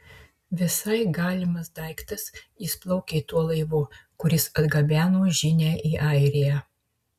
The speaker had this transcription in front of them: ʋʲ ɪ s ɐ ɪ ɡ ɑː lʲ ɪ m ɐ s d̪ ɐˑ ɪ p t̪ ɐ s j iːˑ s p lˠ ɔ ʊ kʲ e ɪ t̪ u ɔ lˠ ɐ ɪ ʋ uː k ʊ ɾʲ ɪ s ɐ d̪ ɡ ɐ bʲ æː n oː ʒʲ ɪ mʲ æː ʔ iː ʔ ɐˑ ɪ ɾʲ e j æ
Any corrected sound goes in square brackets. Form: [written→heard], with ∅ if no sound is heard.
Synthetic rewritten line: ʋʲ ɪ s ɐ ɪ ɡ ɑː lʲ ɪ m ɐ s d̪ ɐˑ ɪ [p→k] t̪ ɐ s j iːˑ s p lˠ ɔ ʊ kʲ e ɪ t̪ u ɔ lˠ ɐ ɪ ʋ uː k ʊ ɾʲ ɪ s ɐ d̪ ɡ ɐ bʲ æː n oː ʒʲ ɪ [mʲ→nʲ] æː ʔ iː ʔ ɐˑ ɪ ɾʲ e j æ